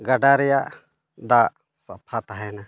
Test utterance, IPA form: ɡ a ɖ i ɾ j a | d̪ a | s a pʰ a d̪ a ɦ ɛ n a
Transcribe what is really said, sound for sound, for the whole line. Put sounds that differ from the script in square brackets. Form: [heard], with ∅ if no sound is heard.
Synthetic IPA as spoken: ɡ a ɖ [a] ɾ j a | d̪ a | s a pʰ a [t̪] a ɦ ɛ n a